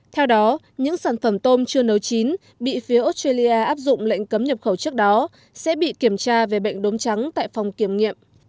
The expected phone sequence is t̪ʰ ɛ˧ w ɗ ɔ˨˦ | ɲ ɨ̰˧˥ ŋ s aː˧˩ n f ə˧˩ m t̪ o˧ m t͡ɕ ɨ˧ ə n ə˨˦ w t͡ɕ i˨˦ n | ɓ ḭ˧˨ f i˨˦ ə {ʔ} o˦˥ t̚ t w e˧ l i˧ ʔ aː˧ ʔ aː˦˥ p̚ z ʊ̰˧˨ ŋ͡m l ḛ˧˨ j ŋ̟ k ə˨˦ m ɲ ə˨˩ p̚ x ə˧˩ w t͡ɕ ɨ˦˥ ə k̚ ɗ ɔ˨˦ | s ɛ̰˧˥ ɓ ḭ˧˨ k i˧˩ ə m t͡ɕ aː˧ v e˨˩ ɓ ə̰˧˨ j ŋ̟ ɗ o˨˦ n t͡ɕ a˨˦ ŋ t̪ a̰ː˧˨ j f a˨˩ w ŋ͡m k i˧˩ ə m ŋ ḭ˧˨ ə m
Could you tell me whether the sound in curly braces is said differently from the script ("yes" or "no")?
no